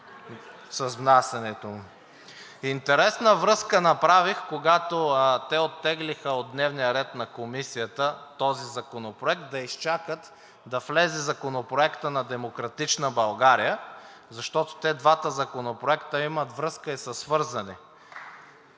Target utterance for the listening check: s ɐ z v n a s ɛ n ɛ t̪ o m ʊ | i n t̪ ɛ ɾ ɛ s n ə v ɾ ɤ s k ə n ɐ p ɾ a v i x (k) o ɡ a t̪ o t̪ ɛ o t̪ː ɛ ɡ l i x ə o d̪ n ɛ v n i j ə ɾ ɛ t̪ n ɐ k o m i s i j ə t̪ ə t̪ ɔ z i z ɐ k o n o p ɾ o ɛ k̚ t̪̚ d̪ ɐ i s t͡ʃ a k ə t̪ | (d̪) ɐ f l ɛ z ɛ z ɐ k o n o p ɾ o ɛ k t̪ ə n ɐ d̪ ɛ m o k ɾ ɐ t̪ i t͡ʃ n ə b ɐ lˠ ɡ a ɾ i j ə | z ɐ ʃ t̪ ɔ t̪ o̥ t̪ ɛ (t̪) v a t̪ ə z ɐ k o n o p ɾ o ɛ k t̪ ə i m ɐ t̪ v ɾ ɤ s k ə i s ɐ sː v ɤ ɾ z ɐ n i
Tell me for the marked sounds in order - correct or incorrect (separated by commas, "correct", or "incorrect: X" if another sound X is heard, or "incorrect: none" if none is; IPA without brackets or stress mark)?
correct, correct, incorrect: d̪